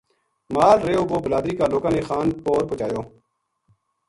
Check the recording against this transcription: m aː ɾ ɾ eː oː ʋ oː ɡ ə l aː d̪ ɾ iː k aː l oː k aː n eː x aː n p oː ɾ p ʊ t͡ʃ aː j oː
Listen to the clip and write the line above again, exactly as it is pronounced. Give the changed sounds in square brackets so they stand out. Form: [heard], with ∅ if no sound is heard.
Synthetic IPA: m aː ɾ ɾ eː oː ʋ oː [b] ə l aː d̪ ɾ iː k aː l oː k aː n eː x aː n p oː ɾ p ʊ t͡ʃ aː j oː